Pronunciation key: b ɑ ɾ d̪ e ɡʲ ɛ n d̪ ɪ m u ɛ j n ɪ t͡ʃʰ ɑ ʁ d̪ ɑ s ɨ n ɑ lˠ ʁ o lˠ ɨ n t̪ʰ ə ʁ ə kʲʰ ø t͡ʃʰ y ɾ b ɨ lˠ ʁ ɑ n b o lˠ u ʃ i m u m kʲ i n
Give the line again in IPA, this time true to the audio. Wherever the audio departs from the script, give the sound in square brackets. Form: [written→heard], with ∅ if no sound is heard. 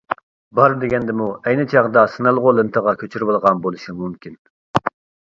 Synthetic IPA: b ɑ ɾ d̪ e ɡʲ ɛ n d̪ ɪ m u ɛ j n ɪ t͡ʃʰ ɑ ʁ d̪ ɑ s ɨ n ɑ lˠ ʁ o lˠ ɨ n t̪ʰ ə ʁ [ə→ɑ] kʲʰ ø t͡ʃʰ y ɾ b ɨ lˠ ʁ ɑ n b o lˠ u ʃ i m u m kʲ i n